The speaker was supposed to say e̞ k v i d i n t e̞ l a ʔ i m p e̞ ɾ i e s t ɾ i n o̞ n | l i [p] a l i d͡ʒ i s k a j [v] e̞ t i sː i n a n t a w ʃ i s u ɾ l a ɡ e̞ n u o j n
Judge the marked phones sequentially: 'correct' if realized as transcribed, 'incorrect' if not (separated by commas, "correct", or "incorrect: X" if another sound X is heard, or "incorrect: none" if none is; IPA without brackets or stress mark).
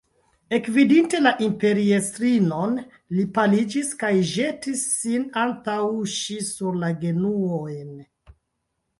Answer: correct, incorrect: ʒ